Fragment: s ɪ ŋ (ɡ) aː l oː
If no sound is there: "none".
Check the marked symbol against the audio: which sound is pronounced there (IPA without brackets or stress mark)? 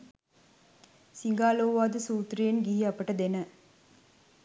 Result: ɡ